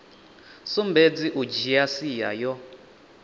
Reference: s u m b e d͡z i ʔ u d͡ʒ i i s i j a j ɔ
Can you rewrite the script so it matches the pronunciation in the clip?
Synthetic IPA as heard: s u m b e d͡z i ʔ u d͡ʒ i a s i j a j ɔ

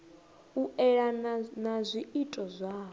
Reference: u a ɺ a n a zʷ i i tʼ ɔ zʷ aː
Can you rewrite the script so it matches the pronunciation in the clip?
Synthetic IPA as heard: u ɛ ɺ a n a zʷ i i tʼ ɔ zʷ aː

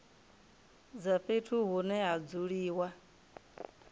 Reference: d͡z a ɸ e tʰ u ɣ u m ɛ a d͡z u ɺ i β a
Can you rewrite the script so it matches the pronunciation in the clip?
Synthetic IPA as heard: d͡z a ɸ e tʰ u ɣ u n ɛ a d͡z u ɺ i w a

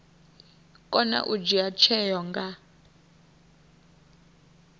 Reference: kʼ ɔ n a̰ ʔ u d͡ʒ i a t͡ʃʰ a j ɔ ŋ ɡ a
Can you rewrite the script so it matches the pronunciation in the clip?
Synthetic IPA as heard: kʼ ɔ n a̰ ʔ u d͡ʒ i a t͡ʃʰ ɛ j ɔ ŋ ɡ a

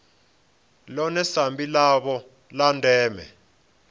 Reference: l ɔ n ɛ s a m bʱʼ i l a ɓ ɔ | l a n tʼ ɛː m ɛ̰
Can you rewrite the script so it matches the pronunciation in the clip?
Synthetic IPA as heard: l ɔ n ɛ s a m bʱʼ i l a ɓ ɔ | l a n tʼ ɛː m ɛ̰

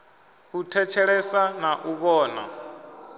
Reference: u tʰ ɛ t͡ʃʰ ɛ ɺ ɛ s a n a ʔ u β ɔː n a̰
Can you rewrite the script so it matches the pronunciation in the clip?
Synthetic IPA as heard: u tʰ ɛ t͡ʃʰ ɛ ɺ ɛ s a n a ʔ u β ɔː n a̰

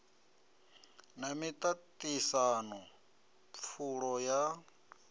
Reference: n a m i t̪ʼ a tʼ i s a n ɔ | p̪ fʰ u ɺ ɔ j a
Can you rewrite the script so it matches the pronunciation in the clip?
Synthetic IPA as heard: n a m i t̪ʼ a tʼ i s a n ɔ | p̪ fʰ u ɺ ɔ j a

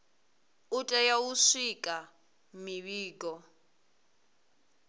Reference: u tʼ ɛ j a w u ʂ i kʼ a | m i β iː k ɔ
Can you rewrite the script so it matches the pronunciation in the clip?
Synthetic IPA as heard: u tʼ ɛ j a w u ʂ i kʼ a | m i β iː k ɔ

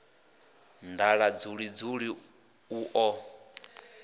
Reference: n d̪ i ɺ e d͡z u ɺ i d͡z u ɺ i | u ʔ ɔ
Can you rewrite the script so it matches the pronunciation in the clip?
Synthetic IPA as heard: n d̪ a ɺ a d͡z u ɺ i d͡z u ɺ i | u ʔ ɔ

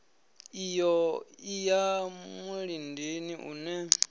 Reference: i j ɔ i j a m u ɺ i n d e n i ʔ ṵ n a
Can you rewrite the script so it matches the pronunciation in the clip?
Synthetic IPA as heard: i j ɔ i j a m u ɺ i n d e n i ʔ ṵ n ɛ

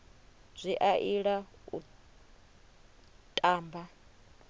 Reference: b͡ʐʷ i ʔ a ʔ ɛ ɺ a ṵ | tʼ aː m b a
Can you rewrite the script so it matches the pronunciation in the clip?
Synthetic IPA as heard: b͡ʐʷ i ʔ a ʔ i ɺ a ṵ | tʼ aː m b a

